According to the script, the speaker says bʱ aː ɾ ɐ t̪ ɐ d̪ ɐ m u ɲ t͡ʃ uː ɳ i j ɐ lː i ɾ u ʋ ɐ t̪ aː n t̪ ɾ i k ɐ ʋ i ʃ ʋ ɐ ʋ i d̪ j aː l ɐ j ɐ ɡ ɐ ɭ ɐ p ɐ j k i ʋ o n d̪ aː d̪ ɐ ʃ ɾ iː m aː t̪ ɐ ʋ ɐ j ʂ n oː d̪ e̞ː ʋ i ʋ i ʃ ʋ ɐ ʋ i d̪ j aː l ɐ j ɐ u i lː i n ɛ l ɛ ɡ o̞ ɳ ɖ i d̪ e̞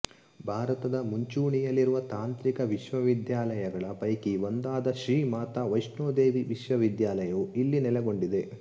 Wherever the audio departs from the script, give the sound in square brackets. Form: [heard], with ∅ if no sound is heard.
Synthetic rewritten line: bʱ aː ɾ ɐ t̪ ɐ d̪ ɐ m u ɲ t͡ʃ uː ɳ i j ɐ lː i ɾ u ʋ ɐ t̪ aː n t̪ ɾ i k ɐ ʋ i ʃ ʋ ɐ ʋ i d̪ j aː l ɐ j ɐ ɡ ɐ ɭ ɐ p ɐ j k i ʋ o n d̪ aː d̪ ɐ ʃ ɾ iː m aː t̪ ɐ ʋ ɐ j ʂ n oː d̪ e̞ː ʋ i ʋ i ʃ ʋ ɐ ʋ i d̪ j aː l ɐ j ɐ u i lː i n ɛ l ɛ ɡ o̞ ɳ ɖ i d̪ e̞